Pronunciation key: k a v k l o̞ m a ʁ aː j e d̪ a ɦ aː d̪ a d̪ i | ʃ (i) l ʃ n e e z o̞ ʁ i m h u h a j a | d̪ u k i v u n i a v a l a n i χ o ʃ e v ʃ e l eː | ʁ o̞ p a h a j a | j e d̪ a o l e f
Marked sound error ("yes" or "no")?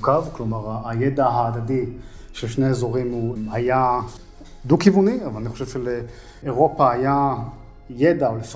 yes